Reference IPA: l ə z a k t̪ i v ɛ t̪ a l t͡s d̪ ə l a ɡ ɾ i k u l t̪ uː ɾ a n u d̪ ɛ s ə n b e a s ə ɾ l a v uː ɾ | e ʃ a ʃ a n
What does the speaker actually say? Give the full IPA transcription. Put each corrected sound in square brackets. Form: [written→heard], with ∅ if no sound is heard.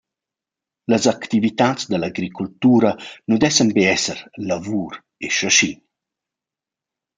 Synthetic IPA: l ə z a k t̪ i v [ɛ→i] t̪ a [l→∅] t͡s d̪ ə l a ɡ ɾ i k u l t̪ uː ɾ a n u d̪ ɛ s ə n b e [a→ɛ] s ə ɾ l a v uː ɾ | e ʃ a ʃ [a→i] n